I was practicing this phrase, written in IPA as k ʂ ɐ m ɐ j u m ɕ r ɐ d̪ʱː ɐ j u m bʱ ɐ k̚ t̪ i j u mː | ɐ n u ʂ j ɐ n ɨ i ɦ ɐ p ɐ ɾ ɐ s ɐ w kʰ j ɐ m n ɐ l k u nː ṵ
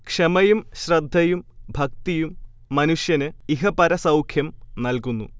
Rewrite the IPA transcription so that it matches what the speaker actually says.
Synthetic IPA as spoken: k ʂ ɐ m ɐ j u m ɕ r ɐ d̪ʱː ɐ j u m bʱ ɐ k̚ t̪ i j u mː | ɐ n u ʂ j ɐ n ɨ i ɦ ɐ p ɐ ɾ ɐ s ɐ w kʰ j ɐ m n ɐ l k u nː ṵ